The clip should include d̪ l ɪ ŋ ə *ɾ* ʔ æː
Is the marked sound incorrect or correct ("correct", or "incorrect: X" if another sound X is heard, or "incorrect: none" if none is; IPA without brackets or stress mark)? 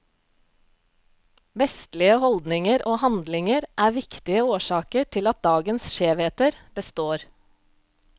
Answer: correct